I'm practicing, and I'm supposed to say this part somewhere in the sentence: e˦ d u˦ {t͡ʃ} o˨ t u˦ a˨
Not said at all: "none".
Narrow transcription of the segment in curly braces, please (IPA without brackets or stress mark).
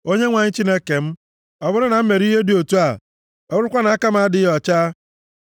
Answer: none